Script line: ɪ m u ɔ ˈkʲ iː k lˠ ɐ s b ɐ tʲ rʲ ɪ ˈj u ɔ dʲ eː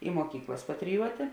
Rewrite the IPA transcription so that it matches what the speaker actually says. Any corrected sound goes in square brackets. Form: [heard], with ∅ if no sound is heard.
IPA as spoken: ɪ m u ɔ ˈkʲ iː k lˠ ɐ s [p] ɐ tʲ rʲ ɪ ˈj u ɔ [tʲ] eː

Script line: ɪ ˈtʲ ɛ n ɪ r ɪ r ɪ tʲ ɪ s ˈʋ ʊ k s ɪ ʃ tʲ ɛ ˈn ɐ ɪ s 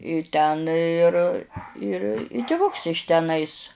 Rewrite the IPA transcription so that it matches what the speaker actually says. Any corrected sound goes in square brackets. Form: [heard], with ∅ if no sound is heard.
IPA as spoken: ɪ ˈtʲ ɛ n ɪ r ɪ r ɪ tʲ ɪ [∅] ˈʋ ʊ k s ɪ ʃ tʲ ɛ ˈn ɐ ɪ s

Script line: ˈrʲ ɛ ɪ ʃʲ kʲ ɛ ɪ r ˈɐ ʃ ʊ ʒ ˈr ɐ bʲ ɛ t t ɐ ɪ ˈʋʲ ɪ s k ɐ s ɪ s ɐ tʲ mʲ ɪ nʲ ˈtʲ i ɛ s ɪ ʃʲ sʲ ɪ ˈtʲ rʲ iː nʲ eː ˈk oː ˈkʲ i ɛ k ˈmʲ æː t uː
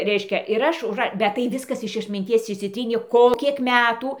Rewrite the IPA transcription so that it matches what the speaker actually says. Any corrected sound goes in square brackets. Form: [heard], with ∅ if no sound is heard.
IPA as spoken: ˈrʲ ɛ ɪ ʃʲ kʲ ɛ ɪ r ˈɐ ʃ ʊ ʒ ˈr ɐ bʲ ɛ t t ɐ ɪ ˈʋʲ ɪ s k ɐ s ɪ [ʃ] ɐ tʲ mʲ ɪ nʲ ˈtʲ i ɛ s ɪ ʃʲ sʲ ɪ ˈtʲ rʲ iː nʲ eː ˈk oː ˈkʲ i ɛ k ˈmʲ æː t uː

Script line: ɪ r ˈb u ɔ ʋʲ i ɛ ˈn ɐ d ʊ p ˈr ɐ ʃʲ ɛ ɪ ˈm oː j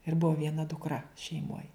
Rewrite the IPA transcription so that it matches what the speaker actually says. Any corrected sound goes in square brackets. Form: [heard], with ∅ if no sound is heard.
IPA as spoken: ɪ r ˈb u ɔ ʋʲ i ɛ ˈn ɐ d ʊ [k] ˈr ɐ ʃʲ ɛ ɪ ˈm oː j

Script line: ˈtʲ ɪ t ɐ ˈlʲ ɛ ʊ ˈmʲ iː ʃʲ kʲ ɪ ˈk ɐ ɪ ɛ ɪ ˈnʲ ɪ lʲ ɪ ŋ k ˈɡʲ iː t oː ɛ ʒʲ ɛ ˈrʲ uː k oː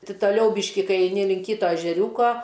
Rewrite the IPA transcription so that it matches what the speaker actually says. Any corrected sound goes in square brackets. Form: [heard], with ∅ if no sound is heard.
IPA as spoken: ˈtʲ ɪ t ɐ ˈlʲ ɛ ʊ [ˈbʲ] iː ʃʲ kʲ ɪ ˈk ɐ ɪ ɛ ɪ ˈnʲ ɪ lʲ ɪ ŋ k [ˈkʲ] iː t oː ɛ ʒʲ ɛ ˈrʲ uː k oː

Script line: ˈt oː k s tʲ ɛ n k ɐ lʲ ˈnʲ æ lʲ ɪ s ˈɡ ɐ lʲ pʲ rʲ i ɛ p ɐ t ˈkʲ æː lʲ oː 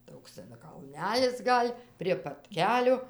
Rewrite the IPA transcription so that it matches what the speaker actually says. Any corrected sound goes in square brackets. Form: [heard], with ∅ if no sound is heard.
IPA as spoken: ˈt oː k s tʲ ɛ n k ɐ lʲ ˈnʲ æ lʲ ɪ s ˈɡ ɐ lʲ pʲ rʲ i ɛ p ɐ t ˈkʲ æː lʲ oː

